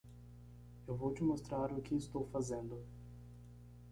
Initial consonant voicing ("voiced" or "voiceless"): voiced